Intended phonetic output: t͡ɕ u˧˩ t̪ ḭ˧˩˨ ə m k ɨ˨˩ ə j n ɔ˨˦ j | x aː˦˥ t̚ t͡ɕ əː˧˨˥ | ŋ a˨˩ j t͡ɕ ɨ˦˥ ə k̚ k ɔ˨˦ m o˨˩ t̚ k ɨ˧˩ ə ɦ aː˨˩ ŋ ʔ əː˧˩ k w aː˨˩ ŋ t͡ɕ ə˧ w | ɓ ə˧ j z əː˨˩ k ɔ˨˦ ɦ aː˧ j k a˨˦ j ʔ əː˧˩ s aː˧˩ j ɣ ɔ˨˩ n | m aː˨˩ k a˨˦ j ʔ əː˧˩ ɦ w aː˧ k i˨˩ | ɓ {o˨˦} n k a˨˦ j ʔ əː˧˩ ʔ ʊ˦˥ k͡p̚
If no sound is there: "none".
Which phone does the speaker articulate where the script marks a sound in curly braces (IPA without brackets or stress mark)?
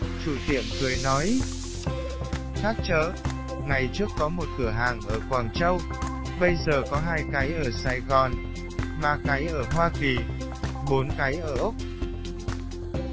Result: o˨˦